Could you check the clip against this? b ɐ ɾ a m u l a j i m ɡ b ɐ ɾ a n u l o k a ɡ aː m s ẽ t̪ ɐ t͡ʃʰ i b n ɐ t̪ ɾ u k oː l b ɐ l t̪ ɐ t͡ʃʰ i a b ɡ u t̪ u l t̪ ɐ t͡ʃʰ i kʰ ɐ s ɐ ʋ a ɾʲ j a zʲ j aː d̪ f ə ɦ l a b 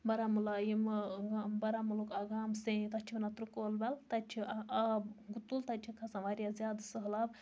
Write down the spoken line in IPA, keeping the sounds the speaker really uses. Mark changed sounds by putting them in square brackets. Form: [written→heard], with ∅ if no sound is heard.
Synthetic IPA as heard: b ɐ ɾ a m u l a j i m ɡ b ɐ ɾ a [n→m] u l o k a ɡ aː m s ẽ t̪ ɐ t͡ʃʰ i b n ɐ t̪ ɾ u k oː l b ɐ l t̪ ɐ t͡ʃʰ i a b ɡ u t̪ u l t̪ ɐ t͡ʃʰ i kʰ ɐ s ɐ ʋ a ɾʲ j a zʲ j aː d̪ [f→s] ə ɦ l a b